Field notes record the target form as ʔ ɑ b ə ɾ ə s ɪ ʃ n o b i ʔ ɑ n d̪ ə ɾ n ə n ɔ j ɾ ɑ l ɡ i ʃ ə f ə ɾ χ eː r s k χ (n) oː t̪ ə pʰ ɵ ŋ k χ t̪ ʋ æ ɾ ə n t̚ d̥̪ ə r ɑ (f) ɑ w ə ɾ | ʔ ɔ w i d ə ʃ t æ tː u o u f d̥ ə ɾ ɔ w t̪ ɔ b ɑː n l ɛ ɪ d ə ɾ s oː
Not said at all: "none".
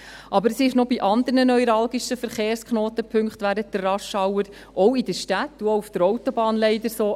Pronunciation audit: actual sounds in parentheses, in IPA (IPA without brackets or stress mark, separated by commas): n, ʃ